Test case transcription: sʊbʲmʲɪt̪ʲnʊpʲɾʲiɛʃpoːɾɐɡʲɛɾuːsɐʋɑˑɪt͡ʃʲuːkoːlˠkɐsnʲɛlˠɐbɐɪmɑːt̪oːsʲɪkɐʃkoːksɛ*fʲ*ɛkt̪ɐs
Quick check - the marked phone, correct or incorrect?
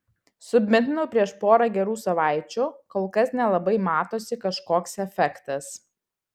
correct